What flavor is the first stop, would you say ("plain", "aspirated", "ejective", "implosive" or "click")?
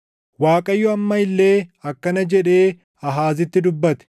ejective